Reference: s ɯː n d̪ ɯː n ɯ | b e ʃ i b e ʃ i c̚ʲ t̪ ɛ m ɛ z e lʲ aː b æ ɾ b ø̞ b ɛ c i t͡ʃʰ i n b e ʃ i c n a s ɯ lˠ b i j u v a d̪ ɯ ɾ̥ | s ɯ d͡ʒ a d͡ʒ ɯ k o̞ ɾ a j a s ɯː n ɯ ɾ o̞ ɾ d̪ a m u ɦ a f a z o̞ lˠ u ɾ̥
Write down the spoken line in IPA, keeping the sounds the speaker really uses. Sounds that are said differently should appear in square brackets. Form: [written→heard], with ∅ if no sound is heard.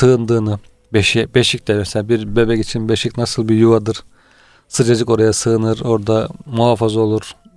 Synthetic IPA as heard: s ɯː n d̪ ɯː n ɯ | b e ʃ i b e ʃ i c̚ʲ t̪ ɛ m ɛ [z→s] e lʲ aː b [æ→i] ɾ b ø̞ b ɛ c i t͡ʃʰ i n b e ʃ i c n a s ɯ lˠ b i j u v a d̪ ɯ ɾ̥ | s ɯ d͡ʒ a d͡ʒ ɯ k o̞ ɾ a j a s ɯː n ɯ ɾ o̞ ɾ d̪ a m u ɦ a f a z o̞ lˠ u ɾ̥